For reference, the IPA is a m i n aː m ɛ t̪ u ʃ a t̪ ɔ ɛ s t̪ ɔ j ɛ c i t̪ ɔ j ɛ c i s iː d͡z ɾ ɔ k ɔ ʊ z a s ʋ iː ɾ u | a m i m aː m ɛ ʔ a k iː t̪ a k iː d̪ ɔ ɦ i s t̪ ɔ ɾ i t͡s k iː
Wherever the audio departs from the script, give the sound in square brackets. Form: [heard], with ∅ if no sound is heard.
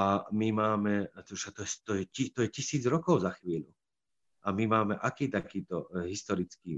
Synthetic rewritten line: a m i [m] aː m ɛ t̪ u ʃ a t̪ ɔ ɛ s t̪ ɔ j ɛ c i t̪ ɔ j ɛ c i s iː d͡z ɾ ɔ k ɔ ʊ z a [x] ʋ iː [ʎ] u | a m i m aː m ɛ ʔ a k iː t̪ a k iː [t̪] ɔ ɦ i s t̪ ɔ ɾ i t͡s k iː